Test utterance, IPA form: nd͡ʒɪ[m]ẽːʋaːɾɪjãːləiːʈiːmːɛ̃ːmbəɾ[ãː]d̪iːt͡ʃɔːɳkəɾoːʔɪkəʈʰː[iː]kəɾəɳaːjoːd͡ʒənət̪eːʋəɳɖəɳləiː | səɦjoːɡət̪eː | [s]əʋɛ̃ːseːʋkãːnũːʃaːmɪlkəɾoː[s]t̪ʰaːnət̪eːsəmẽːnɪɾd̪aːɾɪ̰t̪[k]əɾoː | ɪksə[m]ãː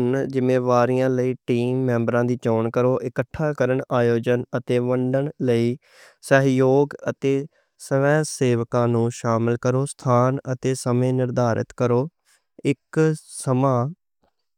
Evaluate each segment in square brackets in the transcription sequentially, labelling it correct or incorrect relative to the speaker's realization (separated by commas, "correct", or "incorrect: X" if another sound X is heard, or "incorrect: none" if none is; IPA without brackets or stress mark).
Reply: correct, correct, incorrect: aː, correct, correct, correct, correct